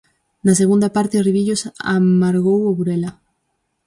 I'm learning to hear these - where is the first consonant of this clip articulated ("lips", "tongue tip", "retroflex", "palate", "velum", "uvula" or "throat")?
tongue tip